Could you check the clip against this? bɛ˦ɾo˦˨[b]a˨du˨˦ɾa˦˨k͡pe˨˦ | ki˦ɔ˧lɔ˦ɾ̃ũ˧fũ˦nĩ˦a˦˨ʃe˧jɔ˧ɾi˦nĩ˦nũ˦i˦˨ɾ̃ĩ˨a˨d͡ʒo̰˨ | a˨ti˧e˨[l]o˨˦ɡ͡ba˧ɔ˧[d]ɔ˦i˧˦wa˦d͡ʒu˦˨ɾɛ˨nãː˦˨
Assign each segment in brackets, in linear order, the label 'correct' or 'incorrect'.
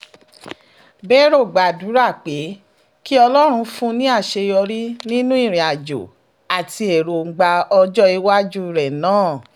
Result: incorrect, incorrect, incorrect

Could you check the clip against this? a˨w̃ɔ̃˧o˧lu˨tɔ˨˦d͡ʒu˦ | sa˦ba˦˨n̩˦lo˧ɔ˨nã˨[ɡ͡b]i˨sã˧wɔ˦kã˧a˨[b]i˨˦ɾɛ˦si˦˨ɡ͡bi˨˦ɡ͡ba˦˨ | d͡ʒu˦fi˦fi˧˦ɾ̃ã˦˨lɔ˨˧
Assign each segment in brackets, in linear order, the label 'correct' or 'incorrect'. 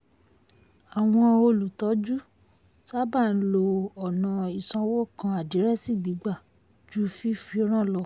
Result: incorrect, incorrect

